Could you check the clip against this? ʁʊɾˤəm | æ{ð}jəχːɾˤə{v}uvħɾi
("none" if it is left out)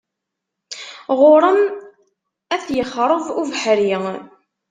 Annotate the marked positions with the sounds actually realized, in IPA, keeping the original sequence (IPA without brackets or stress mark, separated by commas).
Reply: θ, v